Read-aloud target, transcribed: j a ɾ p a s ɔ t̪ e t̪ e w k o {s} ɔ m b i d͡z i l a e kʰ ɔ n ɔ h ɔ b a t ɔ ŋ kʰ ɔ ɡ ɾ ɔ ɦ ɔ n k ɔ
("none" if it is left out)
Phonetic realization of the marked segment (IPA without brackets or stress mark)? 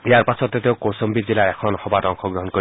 s